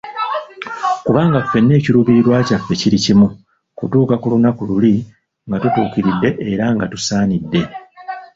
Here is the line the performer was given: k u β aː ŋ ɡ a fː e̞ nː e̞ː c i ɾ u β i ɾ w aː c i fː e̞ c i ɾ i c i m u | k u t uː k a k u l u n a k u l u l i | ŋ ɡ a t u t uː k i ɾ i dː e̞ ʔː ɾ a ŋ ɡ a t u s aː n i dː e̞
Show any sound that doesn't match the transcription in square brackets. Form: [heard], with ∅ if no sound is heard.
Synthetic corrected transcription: k u β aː ŋ ɡ a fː e̞ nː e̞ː c i ɾ u β i ɾ w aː c [a] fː e̞ c i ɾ i c i m u | k u t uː k a k u l u n a k u l u l i | ŋ ɡ a t u t uː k i ɾ i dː e̞ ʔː ɾ a ŋ ɡ a t u s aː n i dː e̞